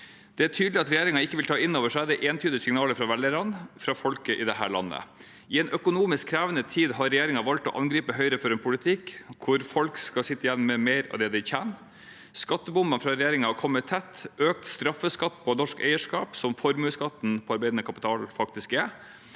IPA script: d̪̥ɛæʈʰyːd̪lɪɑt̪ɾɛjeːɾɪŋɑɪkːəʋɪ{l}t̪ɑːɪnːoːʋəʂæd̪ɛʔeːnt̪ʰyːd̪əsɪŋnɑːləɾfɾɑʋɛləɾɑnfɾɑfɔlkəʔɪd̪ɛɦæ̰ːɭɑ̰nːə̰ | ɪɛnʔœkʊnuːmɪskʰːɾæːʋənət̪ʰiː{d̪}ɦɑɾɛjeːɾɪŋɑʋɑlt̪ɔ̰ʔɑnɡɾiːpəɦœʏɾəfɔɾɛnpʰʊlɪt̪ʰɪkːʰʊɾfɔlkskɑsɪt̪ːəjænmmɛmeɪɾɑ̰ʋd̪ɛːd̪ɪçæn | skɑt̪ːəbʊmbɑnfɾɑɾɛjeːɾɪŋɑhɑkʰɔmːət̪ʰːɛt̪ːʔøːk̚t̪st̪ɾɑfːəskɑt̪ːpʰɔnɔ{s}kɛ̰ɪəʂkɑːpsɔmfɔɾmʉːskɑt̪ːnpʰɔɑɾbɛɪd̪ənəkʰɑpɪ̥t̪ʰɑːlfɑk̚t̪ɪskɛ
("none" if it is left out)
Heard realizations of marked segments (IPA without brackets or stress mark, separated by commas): l, d̪, ʂ